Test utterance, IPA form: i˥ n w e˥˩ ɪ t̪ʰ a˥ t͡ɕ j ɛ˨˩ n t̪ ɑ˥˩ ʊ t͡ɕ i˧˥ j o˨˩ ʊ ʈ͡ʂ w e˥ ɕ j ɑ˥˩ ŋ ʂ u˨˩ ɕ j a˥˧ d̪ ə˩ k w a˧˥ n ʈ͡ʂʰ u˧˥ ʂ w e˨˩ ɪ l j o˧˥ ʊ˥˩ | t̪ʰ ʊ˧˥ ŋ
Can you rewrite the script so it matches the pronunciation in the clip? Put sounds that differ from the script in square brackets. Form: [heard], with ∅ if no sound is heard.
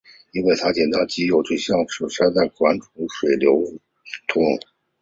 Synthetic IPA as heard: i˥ n w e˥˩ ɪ t̪ʰ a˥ t͡ɕ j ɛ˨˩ n t̪ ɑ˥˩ ʊ t͡ɕ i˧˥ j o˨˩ ʊ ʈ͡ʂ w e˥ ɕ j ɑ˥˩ ŋ ʂ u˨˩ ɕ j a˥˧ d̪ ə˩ k w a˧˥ n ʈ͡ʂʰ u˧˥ ʂ w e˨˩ ɪ l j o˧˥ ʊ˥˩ | t̪ʰ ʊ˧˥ ŋ